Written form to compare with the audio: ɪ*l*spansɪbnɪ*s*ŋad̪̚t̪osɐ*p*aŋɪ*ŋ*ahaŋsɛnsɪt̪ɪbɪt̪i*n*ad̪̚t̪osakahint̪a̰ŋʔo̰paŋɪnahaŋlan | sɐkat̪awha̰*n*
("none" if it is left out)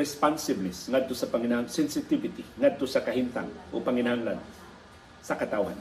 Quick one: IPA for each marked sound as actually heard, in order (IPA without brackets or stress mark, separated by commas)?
none, s, p, n, ŋ, n